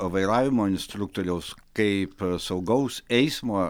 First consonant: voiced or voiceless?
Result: voiced